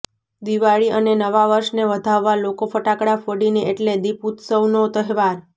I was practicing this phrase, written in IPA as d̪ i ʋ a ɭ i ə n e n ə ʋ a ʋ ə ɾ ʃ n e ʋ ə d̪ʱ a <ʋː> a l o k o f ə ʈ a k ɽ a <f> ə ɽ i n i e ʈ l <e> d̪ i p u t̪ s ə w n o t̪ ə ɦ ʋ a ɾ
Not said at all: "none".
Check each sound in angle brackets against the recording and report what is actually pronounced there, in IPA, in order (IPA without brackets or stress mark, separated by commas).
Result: ʋː, f, e